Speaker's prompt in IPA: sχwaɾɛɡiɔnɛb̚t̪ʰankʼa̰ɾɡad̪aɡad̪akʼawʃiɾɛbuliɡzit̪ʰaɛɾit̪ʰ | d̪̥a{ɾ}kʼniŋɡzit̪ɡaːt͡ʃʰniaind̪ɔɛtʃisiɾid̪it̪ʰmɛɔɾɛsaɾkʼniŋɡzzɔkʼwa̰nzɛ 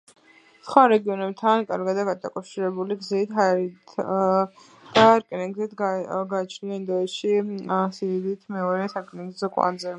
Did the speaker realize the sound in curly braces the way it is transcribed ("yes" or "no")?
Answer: yes